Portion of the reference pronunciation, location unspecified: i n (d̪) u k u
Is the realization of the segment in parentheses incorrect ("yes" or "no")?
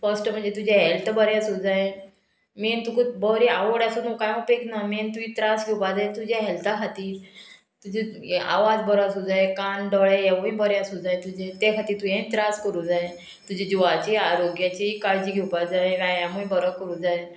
yes